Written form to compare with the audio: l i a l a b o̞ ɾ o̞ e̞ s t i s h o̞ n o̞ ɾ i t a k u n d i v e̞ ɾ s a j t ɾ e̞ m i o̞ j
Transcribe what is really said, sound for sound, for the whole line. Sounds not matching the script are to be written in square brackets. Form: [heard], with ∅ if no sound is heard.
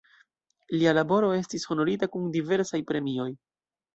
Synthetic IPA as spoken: l i a l a b o̞ ɾ o̞ e̞ s t i s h o̞ n o̞ ɾ i t a k u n d i v e̞ ɾ s a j [p] ɾ e̞ m i o̞ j

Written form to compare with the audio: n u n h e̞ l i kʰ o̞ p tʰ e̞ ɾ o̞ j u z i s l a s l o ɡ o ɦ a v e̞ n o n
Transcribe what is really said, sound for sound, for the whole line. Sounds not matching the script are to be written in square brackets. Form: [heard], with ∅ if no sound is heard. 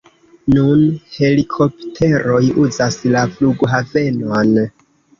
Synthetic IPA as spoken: n u n h e̞ l i kʰ o̞ p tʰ e̞ ɾ o̞ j u z [a] s l a [f] l [u] ɡ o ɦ a v e̞ n o n

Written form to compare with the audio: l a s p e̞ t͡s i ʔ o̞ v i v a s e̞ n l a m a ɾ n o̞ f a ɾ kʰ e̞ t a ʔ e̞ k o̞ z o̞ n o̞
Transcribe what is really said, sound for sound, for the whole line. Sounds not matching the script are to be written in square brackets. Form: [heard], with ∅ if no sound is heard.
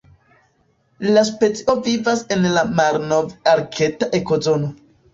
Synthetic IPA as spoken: l a s p e̞ t͡s i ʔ o̞ v i v a s e̞ n l a m a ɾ n o̞ [v] a ɾ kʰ e̞ t a ʔ e̞ k o̞ z o̞ n o̞

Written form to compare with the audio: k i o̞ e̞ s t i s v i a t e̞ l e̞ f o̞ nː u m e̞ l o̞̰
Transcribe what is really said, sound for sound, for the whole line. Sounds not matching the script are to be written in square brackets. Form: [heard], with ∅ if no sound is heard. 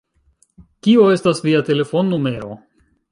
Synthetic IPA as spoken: k i o̞ e̞ s t [a] s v i a t e̞ l e̞ f o̞ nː u m e̞ [ɾ] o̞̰

